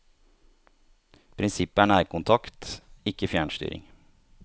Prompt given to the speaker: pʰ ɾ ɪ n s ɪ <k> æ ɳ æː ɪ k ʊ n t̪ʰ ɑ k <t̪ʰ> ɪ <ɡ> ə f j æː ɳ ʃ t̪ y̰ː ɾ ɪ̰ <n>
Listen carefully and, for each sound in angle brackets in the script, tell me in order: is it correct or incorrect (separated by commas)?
incorrect, incorrect, incorrect, incorrect